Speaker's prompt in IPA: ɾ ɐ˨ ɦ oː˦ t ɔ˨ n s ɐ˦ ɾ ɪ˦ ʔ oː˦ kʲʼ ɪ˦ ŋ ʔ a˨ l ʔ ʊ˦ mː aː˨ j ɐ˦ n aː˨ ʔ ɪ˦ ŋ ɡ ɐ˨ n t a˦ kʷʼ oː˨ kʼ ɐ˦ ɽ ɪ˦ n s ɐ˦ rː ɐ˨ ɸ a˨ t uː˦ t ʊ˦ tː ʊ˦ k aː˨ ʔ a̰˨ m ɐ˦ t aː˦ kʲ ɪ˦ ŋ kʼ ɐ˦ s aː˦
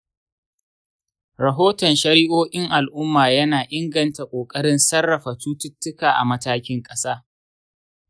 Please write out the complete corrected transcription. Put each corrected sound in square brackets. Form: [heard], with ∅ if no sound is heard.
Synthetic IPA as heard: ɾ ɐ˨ ɦ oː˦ t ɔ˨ n [ʃ] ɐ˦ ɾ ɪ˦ ʔ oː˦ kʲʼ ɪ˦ ŋ ʔ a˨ l ʔ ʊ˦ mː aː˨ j ɐ˦ n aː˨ ʔ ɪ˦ ŋ ɡ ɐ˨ n t [a˨] kʷʼ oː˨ kʼ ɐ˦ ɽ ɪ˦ n s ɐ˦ rː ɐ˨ ɸ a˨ t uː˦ t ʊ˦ tː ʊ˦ k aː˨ ʔ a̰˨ m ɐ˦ t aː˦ kʲ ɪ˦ ŋ kʼ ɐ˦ s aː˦